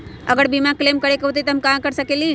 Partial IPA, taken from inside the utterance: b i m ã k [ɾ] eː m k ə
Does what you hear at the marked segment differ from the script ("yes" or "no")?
yes